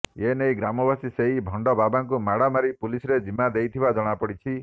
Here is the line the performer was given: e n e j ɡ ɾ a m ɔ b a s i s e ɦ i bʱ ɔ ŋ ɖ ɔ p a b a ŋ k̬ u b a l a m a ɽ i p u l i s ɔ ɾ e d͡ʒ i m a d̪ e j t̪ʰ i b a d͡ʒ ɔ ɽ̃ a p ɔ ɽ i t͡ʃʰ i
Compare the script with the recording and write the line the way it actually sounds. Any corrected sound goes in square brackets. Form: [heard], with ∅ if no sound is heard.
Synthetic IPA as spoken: e n e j ɡ ɾ a m ɔ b a s i s e ɦ i bʱ ɔ [ɳ] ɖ ɔ [b] a b a ŋ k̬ u [m] a [ɽ] a m a [ɾ] i p u l i s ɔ ɾ e d͡ʒ i m a d̪ e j t̪ʰ i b a d͡ʒ ɔ ɽ̃ a p ɔ ɽ i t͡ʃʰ i